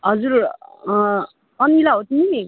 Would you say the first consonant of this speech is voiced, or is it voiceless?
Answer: voiced